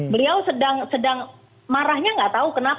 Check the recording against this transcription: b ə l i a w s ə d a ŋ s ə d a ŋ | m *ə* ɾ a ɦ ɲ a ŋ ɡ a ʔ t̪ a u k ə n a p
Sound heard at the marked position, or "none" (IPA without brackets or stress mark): a